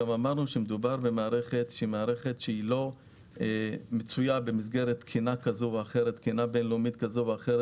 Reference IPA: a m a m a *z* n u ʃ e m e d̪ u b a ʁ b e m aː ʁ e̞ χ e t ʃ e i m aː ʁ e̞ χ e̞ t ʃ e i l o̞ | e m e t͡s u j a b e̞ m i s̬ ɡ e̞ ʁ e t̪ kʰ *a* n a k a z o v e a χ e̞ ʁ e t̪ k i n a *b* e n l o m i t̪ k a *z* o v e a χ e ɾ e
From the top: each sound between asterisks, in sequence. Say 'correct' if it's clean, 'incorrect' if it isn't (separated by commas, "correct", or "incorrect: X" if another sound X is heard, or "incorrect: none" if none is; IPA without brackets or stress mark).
incorrect: ʁ, incorrect: i, correct, correct